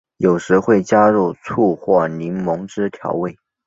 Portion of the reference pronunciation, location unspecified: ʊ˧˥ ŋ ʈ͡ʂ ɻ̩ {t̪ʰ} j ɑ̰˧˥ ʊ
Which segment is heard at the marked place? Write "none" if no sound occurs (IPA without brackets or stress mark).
t̪ʰ